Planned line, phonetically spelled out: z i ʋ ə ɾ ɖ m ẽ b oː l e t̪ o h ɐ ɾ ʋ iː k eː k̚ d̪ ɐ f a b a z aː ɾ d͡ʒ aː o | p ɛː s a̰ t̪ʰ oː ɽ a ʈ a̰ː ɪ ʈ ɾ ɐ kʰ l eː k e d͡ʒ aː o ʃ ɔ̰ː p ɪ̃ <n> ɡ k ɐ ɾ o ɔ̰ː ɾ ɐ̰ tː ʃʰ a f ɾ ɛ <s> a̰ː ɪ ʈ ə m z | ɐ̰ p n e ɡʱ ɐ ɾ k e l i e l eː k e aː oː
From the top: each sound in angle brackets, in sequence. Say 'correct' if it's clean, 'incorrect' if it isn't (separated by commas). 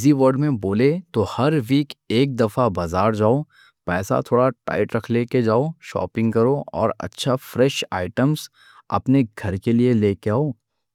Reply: incorrect, incorrect